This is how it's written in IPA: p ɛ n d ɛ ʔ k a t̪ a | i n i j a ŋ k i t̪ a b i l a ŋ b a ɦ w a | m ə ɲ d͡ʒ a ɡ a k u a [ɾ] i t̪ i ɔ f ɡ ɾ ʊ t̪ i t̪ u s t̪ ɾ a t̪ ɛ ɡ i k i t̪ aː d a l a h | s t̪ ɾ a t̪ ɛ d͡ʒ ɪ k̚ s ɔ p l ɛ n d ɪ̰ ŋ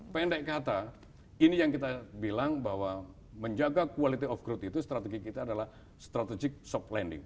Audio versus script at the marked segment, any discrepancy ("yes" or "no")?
yes